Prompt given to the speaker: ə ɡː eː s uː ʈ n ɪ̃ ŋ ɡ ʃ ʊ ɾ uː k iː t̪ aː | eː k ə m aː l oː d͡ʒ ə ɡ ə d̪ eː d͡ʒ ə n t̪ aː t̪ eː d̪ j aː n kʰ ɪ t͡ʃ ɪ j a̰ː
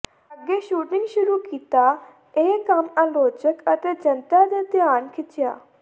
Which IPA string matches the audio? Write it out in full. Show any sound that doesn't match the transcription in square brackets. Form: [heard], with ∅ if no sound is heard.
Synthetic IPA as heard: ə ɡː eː [ʃ] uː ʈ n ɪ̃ ŋ ɡ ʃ ʊ ɾ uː k iː t̪ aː | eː k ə m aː l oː d͡ʒ ə [k] ə [t̪] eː d͡ʒ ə n t̪ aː [d̪] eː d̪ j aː n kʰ ɪ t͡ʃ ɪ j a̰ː